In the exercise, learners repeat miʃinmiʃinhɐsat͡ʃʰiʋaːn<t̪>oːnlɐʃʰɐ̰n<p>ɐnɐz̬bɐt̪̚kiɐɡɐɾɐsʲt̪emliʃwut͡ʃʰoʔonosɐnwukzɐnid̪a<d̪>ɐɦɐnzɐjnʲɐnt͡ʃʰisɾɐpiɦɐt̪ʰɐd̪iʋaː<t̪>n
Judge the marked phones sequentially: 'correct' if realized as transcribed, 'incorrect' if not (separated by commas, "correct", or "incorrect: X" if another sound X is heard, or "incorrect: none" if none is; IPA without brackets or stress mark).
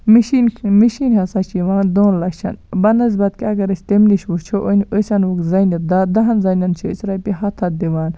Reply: incorrect: d̪, incorrect: b, correct, incorrect: none